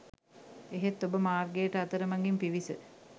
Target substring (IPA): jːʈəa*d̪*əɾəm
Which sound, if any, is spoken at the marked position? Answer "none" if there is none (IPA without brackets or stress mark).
t̪